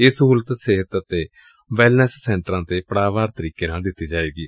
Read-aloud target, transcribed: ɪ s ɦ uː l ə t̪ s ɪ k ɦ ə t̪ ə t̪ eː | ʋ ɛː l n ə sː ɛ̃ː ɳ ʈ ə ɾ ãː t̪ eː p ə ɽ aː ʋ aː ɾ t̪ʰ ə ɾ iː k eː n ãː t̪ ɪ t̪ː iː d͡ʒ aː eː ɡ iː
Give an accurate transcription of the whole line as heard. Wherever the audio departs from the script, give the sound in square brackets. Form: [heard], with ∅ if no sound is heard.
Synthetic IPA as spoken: ɪ s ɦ uː l ə t̪ s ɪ [∅] ɦ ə t̪ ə t̪ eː | ʋ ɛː l n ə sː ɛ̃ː ɳ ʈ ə ɾ ãː t̪ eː p ə ɽ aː ʋ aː ɾ [t̪] ə ɾ iː k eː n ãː [d̪] ɪ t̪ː iː d͡ʒ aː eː ɡ iː

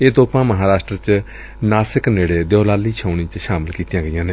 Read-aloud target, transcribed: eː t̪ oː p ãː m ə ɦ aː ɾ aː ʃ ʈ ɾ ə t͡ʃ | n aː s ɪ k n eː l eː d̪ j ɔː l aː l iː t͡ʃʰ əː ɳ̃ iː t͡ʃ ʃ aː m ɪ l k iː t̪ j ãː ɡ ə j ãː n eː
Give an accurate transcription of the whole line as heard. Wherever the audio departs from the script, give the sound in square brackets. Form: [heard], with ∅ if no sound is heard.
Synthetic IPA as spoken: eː t̪ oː p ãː m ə ɦ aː ɾ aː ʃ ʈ ɾ ə t͡ʃ | n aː s ɪ k n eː [ɽ] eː d̪ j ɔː l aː l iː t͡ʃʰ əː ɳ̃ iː t͡ʃ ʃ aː m ɪ l k iː t̪ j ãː ɡ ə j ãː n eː

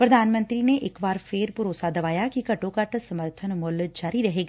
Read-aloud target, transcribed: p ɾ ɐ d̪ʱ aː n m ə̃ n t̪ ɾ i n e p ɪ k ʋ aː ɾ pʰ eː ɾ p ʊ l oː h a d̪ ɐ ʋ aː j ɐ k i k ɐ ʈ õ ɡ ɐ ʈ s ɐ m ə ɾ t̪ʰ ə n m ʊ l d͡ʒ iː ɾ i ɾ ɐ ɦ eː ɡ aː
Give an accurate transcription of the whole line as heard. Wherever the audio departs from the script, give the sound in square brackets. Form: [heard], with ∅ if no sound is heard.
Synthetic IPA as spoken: p ɾ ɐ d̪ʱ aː n m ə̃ n t̪ ɾ i n e [ʔ] ɪ k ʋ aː ɾ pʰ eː ɾ p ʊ [ɾ] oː [s] a d̪ ɐ ʋ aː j [a] k i k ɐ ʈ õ [k] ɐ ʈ s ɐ m ə ɾ t̪ʰ ə n m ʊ l d͡ʒ [aː] ɾ i ɾ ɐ ɦ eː ɡ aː

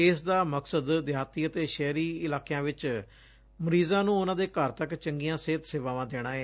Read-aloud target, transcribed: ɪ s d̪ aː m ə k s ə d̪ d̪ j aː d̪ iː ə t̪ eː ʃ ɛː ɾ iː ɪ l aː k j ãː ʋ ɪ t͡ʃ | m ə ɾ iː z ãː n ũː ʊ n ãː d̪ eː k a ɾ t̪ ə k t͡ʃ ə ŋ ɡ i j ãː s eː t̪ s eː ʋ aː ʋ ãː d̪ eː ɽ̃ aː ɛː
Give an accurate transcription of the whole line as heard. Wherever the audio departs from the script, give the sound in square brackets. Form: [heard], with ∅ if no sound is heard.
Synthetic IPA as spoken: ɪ s d̪ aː m ə k s ə d̪ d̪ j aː [t̪] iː ə t̪ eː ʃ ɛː ɾ iː ɪ l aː k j ãː ʋ ɪ t͡ʃ | m ə ɾ iː z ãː n ũː ʊ n ãː d̪ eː k [ə] ɾ t̪ ə k t͡ʃ ə ŋ ɡ i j ãː s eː t̪ s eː ʋ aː ʋ ãː d̪ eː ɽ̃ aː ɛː

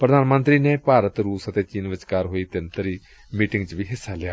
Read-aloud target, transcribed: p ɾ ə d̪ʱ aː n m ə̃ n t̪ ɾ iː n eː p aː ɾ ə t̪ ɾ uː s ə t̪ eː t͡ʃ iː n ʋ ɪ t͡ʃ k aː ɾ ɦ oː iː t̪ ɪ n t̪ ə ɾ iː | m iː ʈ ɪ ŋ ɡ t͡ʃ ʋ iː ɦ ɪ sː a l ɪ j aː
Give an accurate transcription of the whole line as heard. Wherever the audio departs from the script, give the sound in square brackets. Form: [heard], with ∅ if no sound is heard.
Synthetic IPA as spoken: p ɾ ə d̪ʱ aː n m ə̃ n t̪ ɾ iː n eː p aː ɾ ə t̪ ɾ uː s ə t̪ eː t͡ʃ iː n ʋ ɪ t͡ʃ k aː ɾ ɦ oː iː t̪ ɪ n t̪ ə ɾ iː | m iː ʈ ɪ ŋ ɡ t͡ʃ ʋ iː ɦ ɪ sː a l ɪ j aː

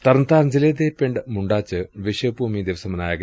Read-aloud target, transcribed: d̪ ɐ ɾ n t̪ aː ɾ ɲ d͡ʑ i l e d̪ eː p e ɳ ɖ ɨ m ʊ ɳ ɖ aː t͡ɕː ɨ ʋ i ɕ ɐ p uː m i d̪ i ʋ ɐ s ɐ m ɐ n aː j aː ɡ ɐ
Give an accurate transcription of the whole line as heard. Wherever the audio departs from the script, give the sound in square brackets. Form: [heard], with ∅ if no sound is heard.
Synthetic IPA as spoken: [t̪] ɐ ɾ n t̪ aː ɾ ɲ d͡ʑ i l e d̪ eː p e ɳ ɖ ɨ m [u] ɳ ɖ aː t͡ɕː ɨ ʋ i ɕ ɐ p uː m i d̪ i ʋ ɐ s ɐ m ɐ n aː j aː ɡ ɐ

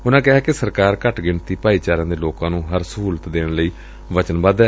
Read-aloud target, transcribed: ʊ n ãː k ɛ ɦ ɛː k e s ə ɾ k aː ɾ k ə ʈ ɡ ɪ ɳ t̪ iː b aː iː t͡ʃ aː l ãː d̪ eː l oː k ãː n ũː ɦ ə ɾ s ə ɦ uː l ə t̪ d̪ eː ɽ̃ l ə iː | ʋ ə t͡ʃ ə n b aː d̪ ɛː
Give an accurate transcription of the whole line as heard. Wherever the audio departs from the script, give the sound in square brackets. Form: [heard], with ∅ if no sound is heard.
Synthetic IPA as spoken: ʊ n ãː k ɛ ɦ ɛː k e s ə ɾ k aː ɾ k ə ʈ ɡ ɪ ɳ t̪ iː [p] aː iː t͡ʃ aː [ɾ] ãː d̪ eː l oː k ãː n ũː ɦ ə ɾ s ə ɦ uː l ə t̪ d̪ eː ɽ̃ l ə iː | ʋ ə t͡ʃ ə n b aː d̪ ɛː

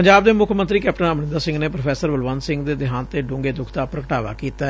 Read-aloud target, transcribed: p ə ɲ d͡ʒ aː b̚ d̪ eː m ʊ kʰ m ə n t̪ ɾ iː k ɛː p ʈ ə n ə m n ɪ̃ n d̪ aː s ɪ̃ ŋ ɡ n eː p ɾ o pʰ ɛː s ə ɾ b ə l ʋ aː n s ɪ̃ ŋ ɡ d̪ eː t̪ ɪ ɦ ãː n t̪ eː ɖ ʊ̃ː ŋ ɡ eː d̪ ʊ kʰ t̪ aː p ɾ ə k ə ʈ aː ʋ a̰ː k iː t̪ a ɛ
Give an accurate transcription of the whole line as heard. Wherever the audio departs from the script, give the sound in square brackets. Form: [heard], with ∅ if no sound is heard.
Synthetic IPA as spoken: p ə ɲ d͡ʒ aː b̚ d̪ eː m ʊ kʰ m ə n t̪ ɾ iː k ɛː p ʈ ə n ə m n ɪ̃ n d̪ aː s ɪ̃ ŋ ɡ n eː p ɾ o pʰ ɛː s ə ɾ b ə l ʋ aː n s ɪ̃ ŋ ɡ d̪ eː [d̪] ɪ ɦ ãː n t̪ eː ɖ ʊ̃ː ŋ ɡ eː d̪ ʊ kʰ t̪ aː p ɾ ə k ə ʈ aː ʋ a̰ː k iː t̪ a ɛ

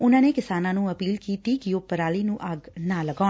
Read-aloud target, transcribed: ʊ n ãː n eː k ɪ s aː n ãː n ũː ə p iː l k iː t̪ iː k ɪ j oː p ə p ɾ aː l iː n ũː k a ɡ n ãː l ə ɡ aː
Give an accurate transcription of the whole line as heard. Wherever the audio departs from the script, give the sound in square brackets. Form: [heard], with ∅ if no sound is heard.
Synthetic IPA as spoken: ʊ n ãː n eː k ɪ s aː n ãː n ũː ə p iː l k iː t̪ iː k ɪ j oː p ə [∅] ɾ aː l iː n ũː [ʔ] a ɡ n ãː l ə ɡ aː

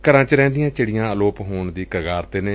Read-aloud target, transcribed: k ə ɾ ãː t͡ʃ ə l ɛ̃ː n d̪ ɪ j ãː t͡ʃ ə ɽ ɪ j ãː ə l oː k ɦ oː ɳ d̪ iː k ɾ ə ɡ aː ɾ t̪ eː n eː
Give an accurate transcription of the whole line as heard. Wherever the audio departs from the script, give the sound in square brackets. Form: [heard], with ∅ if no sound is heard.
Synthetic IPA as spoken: k ə ɾ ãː t͡ʃ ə [ɾ] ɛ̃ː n d̪ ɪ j ãː t͡ʃ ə ɽ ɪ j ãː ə l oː [p] ɦ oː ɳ d̪ iː k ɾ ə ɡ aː ɾ t̪ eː n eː

